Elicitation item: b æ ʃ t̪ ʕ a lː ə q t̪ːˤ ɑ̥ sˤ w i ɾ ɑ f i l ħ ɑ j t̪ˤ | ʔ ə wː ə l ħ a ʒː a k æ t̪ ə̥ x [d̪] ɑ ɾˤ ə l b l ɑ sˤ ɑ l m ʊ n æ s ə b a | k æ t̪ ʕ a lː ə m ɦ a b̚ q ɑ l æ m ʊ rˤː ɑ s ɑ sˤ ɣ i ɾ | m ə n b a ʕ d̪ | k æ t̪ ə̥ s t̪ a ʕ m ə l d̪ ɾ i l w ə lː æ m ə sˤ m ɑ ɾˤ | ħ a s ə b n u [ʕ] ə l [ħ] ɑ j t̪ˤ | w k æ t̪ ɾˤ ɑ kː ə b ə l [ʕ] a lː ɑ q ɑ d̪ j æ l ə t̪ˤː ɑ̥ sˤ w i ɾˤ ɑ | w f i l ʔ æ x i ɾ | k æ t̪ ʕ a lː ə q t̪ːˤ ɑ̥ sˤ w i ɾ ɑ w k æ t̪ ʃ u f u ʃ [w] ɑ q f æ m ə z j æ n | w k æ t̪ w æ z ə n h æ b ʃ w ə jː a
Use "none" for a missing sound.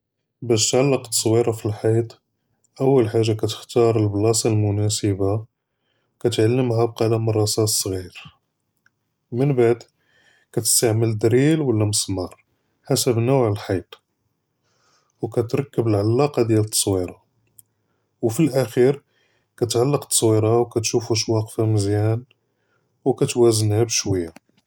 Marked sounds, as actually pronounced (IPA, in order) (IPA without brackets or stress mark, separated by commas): t̪, ʕ, ħ, ʕ, w